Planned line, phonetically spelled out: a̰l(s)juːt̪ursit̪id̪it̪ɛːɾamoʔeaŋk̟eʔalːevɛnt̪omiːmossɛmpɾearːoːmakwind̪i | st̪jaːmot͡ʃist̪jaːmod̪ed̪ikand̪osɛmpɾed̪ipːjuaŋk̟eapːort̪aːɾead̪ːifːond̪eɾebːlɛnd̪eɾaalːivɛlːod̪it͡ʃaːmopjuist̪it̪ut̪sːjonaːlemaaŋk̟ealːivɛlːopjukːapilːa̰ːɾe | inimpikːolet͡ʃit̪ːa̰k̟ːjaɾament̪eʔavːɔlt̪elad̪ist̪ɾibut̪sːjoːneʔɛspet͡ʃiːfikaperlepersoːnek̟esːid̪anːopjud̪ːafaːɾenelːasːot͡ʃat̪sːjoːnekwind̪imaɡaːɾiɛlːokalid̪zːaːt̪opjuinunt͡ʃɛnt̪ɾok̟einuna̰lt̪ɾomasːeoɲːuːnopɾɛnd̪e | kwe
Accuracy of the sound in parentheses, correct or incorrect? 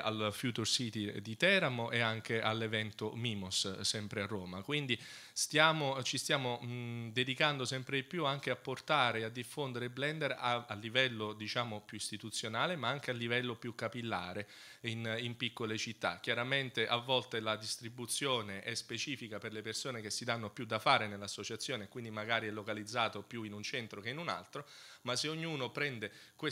incorrect: f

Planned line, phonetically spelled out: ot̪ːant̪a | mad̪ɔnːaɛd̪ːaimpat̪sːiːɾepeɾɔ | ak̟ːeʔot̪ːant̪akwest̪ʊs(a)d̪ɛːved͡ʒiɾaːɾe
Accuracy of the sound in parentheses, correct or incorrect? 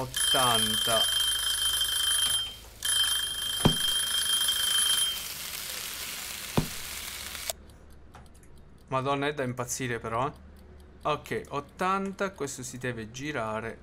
incorrect: i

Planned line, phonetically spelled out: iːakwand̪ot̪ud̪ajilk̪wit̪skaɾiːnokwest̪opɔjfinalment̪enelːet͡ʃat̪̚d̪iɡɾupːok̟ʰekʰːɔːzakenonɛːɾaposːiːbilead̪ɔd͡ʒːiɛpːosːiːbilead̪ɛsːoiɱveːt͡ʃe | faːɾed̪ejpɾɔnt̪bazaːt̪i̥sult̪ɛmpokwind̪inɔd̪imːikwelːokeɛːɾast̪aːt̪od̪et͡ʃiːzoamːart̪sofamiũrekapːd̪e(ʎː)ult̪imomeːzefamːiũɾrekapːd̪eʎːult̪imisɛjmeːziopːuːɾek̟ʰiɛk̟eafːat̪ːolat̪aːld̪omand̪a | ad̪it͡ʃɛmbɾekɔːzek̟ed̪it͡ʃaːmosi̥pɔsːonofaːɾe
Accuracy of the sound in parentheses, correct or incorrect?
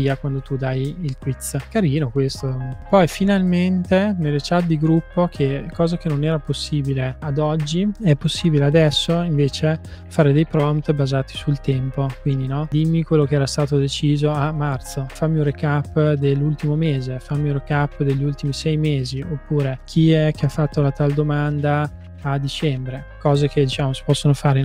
incorrect: lː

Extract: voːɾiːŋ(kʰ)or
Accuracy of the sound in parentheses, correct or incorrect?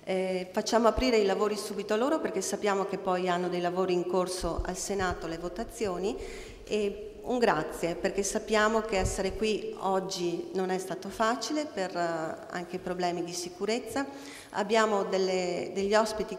incorrect: k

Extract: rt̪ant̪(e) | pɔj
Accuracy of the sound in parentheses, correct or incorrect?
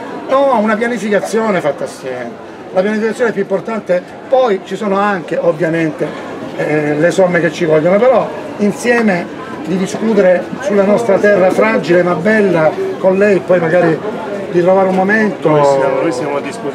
correct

